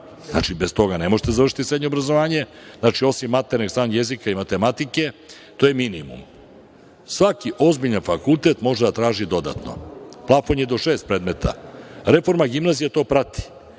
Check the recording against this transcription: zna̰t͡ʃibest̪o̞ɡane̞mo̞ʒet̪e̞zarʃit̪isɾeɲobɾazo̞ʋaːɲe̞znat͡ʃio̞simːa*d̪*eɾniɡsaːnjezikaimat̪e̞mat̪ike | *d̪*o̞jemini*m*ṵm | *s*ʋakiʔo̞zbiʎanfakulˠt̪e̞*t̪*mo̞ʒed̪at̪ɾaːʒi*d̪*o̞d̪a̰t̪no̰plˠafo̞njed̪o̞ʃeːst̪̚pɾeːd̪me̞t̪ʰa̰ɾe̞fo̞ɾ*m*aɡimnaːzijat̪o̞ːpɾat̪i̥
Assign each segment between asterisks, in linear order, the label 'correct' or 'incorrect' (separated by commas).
incorrect, incorrect, correct, correct, correct, correct, correct